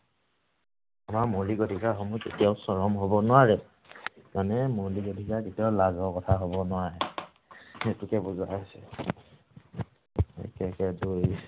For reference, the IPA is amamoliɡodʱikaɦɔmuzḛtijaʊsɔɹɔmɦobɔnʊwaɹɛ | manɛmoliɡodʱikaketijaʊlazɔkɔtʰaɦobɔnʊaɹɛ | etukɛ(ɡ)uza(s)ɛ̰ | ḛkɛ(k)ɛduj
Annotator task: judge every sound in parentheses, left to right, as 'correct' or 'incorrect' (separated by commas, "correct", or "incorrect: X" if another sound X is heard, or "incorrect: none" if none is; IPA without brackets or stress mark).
incorrect: b, correct, correct